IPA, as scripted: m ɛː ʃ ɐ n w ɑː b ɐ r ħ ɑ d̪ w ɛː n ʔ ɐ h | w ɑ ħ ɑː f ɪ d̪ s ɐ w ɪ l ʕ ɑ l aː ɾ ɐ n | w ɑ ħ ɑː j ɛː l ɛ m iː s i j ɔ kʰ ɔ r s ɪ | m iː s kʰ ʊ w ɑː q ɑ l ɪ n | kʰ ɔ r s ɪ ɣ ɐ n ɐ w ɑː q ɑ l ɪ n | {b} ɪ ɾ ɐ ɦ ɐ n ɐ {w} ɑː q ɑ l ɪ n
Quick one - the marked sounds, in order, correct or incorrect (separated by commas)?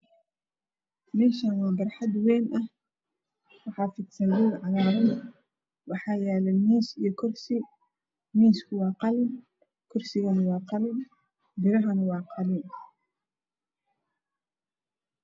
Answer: correct, correct